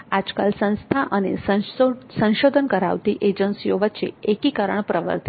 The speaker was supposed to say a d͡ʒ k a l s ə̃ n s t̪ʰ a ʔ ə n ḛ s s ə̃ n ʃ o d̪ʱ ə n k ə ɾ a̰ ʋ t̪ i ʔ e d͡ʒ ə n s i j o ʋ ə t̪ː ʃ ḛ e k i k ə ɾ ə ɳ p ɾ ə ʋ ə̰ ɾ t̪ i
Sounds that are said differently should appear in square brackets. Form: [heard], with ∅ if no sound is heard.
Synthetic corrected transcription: a d͡ʒ k a l s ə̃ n s t̪ʰ a ʔ ə n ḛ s s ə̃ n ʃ o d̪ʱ ə n k ə ɾ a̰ ʋ t̪ i ʔ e d͡ʒ ə n s i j o ʋ ə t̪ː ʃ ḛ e k i k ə ɾ ə ɳ p ɾ ə ʋ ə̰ ɾ t̪ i

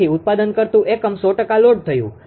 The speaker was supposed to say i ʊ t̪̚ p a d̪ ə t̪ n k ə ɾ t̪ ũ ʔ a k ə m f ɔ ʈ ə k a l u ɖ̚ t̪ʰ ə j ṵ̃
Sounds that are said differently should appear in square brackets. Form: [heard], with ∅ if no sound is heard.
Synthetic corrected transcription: i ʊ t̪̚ p a d̪ ə [∅] n k ə ɾ t̪ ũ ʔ [e] k ə m [s] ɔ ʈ ə k a l [o] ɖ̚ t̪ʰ ə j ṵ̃

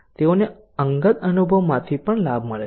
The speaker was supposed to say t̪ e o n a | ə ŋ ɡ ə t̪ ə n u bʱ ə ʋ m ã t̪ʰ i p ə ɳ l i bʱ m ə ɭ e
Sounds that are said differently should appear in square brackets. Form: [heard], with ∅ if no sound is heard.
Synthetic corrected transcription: t̪ e o n [e] | ə ŋ ɡ ə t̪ ə n u bʱ ə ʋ m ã t̪ʰ i p ə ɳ l [a] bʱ m ə ɭ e

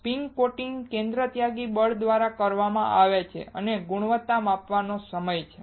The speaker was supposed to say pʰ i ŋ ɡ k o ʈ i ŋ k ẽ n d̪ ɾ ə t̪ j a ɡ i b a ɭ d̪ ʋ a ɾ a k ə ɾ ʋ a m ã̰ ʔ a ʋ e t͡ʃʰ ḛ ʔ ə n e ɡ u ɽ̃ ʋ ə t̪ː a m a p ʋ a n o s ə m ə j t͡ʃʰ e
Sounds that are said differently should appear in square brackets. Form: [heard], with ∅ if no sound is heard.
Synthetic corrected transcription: [p] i ŋ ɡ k o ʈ i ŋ k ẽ n d̪ ɾ ə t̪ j a ɡ i b [ə] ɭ d̪ ʋ a ɾ a k ə ɾ ʋ a m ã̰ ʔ a ʋ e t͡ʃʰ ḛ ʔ ə n e ɡ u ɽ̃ ʋ ə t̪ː a m a p ʋ a n o s ə m ə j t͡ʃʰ e

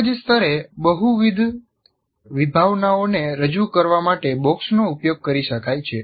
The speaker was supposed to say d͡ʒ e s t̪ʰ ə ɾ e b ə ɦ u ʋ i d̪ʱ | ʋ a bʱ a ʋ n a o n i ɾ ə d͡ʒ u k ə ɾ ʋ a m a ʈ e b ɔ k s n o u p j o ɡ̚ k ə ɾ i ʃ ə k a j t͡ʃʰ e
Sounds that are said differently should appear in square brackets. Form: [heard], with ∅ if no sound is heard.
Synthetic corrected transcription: d͡ʒ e s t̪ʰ ə ɾ e b ə ɦ u ʋ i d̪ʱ | ʋ [i] bʱ a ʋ n a o n [e] ɾ ə d͡ʒ u k ə ɾ ʋ a m a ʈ e b ɔ k s n o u p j o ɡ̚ k ə ɾ i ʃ ə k a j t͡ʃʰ e

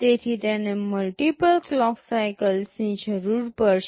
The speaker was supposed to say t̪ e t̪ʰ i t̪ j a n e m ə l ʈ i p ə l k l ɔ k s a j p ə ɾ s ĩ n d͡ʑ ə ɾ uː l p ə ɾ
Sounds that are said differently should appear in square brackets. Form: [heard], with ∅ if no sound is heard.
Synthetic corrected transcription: t̪ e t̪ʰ i t̪ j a n e m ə l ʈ i p ə l k l ɔ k s a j [k] ə [l] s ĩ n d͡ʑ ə ɾ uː [ɾ] p ə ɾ

